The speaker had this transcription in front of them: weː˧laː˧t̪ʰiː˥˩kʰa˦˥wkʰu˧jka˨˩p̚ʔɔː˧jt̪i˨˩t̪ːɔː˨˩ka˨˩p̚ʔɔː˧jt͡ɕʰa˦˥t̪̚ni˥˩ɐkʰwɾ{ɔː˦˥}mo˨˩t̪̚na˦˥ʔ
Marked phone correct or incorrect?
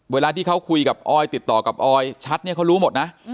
incorrect